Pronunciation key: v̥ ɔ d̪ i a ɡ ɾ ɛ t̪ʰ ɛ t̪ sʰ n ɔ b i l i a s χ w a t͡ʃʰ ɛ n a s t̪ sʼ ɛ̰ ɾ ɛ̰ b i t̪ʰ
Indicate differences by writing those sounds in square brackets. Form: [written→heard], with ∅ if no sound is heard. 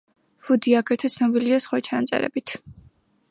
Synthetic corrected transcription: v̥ [ɔ→u] d̪ i a ɡ ɾ ɛ t̪ʰ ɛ t̪ sʰ n ɔ b i l i a s χ w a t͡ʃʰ [ɛ→a] n a [s→∅] t̪ sʼ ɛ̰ ɾ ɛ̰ b i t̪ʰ